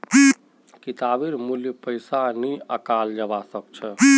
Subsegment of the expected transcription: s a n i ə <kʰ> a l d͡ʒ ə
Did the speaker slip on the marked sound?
yes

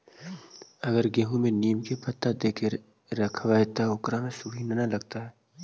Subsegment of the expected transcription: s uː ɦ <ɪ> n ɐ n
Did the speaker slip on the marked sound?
yes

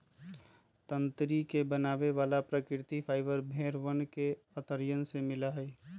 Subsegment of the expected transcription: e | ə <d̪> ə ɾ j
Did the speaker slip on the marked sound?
yes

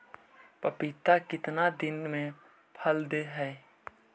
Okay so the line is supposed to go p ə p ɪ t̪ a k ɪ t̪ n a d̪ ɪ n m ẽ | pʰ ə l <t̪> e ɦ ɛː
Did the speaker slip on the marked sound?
yes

